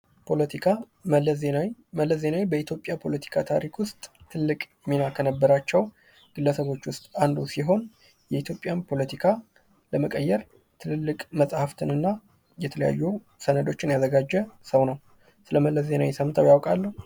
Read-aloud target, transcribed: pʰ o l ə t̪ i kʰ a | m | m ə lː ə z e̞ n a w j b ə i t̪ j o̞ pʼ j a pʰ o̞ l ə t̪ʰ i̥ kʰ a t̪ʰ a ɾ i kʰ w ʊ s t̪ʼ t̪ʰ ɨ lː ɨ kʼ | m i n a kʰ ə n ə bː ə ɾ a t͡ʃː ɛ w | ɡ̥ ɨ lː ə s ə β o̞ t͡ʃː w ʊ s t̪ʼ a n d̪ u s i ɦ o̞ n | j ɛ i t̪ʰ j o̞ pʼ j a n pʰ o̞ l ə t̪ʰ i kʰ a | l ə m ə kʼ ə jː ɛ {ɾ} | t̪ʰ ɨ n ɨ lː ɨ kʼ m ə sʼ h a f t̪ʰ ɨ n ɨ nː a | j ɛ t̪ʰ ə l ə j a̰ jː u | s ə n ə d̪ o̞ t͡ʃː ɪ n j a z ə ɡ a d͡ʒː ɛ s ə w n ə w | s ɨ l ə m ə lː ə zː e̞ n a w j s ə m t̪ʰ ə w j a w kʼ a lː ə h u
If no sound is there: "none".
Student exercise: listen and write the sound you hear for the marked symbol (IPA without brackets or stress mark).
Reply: ɾ